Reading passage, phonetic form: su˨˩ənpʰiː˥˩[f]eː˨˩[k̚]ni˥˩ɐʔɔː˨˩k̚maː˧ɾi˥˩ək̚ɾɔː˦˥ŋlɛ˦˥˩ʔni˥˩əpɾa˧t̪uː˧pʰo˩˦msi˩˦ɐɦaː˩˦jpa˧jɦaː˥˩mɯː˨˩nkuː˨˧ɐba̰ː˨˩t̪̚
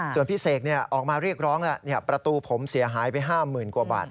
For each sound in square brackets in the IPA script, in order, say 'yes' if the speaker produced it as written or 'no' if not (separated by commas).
no, yes